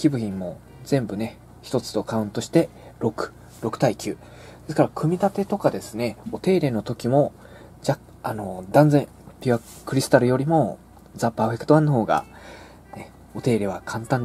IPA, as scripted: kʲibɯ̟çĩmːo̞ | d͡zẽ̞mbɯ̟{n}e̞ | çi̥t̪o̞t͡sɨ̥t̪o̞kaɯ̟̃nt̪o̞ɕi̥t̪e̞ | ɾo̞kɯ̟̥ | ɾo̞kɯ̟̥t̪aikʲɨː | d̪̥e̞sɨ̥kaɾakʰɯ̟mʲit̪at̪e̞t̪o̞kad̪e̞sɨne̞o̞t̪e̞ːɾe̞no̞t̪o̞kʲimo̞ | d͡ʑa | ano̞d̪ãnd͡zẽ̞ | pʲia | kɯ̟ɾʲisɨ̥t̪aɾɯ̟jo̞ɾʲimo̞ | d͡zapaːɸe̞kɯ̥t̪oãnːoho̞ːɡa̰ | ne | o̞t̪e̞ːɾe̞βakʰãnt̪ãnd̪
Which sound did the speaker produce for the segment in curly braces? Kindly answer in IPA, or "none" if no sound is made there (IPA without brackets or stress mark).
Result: n